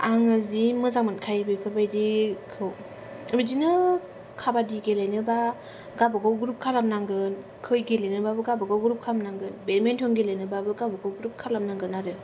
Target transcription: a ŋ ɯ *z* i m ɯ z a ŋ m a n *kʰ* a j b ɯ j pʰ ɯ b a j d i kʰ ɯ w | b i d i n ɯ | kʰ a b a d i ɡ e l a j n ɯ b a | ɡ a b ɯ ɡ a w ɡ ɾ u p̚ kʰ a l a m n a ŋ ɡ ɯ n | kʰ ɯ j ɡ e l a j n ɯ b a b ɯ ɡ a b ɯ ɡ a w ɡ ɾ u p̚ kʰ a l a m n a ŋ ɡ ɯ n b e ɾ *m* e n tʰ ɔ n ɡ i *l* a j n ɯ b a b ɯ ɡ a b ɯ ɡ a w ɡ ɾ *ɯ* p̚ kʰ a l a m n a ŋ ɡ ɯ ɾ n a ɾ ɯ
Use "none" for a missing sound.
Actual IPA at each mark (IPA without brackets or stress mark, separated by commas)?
z, kʰ, m, l, u